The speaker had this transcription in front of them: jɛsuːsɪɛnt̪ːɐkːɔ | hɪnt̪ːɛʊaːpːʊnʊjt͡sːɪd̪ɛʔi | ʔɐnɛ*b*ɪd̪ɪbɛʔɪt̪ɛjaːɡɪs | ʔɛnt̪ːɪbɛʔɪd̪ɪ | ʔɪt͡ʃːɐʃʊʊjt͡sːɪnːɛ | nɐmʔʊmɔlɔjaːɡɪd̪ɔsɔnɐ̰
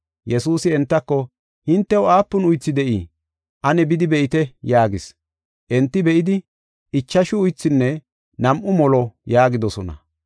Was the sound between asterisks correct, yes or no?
yes